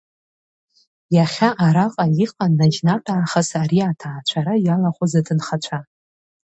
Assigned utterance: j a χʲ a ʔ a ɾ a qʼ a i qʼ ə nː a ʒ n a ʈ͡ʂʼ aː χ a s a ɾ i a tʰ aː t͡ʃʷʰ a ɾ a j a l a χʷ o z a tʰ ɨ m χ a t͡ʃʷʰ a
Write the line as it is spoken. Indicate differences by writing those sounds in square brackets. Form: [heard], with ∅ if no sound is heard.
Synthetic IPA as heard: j a χʲ a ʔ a ɾ a qʼ a i qʼ [a] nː a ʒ n a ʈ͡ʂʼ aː χ a s a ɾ i a tʰ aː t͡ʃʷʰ a ɾ a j a l a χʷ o z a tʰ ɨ [n] χ a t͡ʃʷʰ a